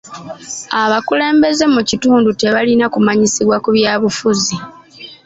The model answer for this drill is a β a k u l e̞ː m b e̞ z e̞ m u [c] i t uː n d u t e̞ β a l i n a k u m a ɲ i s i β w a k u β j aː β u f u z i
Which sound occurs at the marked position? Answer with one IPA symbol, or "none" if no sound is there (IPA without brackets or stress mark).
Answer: c